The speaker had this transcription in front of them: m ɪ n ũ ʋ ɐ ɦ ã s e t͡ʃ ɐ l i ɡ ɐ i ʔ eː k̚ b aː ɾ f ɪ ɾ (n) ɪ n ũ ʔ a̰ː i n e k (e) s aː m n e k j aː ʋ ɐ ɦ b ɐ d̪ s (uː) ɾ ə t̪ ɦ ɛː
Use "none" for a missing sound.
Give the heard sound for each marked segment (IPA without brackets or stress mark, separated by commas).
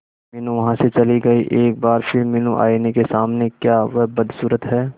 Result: m, e, uː